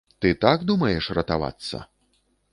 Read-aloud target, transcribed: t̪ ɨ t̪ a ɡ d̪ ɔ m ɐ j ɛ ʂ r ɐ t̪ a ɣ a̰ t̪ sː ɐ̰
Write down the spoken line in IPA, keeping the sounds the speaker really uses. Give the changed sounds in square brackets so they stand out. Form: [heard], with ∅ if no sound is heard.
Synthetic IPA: t̪ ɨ t̪ a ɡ d̪ [u] m ɐ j ɛ ʂ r ɐ t̪ a [v] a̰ t̪ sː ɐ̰